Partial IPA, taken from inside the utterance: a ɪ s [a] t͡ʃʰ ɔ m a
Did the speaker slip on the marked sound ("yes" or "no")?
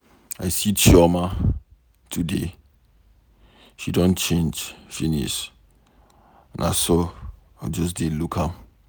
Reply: yes